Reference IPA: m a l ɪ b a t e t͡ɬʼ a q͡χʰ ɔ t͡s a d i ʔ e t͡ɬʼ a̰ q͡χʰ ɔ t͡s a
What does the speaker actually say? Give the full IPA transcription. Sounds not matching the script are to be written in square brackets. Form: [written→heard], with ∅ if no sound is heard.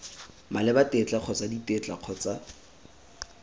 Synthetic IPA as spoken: m a l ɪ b a t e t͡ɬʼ a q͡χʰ ɔ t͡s a d i [ʔ→t] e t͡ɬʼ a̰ q͡χʰ ɔ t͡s a